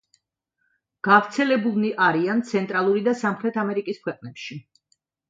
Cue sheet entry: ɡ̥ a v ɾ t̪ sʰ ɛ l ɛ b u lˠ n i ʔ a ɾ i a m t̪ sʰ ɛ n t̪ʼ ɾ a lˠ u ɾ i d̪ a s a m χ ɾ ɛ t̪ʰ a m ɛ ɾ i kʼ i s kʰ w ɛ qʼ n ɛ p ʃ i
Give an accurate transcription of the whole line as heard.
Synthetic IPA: ɡ̥ a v ɾ t̪ sʰ ɛ l ɛ b u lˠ n i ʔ a ɾ i a n t̪ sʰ ɛ n t̪ʼ ɾ a lˠ u ɾ i d̪ a s a m χ ɾ ɛ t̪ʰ a m ɛ ɾ i kʼ i s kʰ w ɛ qʼ n ɛ p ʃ i